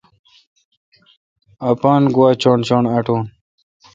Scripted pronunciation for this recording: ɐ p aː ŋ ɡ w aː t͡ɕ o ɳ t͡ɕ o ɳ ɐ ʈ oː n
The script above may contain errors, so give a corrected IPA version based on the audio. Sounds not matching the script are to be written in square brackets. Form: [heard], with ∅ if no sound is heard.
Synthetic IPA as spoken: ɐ p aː [n] ɡ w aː t͡ɕ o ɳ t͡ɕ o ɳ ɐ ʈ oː n